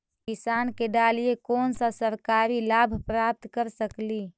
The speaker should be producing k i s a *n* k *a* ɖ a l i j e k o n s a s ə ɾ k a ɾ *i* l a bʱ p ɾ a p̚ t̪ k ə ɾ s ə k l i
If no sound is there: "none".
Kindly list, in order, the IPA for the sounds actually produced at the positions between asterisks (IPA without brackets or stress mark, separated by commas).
n, e, i